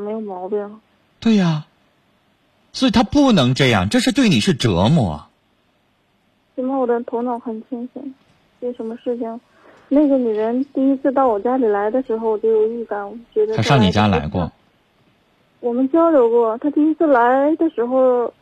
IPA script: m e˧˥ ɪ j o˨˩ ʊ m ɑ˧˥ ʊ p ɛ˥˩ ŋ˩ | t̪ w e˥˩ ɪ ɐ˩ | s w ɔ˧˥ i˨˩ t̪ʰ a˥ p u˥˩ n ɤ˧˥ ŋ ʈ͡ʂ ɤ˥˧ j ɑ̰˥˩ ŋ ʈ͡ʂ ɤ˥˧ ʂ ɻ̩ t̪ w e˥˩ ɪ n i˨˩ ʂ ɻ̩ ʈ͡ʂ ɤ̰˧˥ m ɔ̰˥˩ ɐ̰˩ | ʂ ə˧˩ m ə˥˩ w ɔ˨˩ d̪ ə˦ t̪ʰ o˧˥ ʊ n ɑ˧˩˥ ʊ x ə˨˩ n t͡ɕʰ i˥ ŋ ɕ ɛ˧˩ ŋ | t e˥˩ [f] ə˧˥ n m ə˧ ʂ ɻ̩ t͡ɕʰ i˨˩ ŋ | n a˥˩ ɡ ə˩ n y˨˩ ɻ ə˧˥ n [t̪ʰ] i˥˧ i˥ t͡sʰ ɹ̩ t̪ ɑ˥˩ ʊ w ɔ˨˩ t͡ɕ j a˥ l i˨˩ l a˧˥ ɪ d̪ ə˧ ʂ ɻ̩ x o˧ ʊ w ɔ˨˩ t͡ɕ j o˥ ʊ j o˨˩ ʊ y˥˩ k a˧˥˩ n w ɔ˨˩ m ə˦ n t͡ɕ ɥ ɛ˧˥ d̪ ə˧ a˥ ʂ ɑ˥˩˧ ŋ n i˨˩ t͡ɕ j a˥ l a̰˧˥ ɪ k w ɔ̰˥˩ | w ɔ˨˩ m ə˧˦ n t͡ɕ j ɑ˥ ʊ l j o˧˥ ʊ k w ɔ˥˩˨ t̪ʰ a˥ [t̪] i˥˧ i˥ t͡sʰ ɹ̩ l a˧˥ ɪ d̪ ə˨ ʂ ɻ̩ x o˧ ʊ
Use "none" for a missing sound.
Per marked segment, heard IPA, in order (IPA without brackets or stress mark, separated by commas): ʂ, t̪, t̪